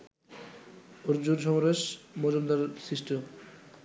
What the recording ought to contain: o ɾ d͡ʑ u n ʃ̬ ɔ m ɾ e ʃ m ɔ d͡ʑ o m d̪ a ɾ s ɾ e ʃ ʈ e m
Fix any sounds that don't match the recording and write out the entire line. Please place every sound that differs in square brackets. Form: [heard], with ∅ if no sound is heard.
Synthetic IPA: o ɾ d͡ʑ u n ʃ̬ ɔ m ɾ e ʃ m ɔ d͡ʑ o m d̪ a ɾ s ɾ [i] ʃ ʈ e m